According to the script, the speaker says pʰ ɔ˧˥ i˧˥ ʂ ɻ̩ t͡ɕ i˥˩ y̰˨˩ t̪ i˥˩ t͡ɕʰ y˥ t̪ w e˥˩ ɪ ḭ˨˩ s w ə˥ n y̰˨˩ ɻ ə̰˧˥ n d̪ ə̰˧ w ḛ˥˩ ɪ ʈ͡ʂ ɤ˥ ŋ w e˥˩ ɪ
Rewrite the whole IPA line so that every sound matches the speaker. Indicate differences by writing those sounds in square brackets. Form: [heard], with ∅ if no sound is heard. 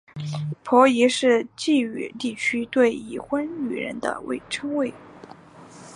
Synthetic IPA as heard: pʰ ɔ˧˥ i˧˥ ʂ ɻ̩ t͡ɕ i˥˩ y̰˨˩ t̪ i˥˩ t͡ɕʰ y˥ t̪ w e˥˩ ɪ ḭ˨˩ [x] w ə˥ n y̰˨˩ ɻ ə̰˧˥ n d̪ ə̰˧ w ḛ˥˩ ɪ [ʈ͡ʂʰ] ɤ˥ ŋ w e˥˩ ɪ